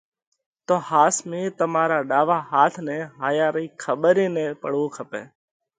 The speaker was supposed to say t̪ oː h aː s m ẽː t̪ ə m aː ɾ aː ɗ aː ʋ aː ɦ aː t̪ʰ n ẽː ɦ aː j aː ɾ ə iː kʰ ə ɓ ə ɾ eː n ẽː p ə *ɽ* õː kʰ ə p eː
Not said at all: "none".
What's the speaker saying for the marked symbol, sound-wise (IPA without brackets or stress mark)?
ɽ